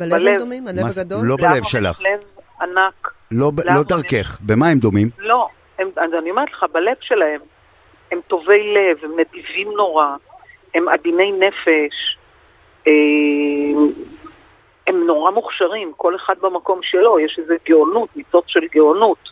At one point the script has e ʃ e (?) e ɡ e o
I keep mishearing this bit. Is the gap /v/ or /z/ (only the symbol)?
z